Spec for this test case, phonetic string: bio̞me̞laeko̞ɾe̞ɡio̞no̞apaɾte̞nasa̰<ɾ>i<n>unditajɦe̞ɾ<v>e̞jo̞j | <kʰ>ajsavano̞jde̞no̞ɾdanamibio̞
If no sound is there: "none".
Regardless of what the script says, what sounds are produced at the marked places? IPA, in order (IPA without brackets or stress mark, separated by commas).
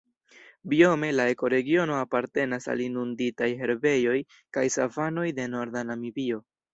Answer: l, n, b, k